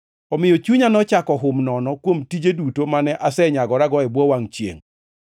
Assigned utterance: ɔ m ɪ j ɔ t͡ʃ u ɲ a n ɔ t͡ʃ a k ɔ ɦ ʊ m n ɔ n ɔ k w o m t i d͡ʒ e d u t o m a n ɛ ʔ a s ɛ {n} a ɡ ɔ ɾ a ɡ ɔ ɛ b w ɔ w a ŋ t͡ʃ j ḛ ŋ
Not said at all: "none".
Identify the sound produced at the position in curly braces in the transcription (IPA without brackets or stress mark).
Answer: ɲ